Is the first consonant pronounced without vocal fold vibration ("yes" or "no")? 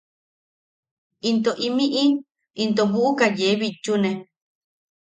no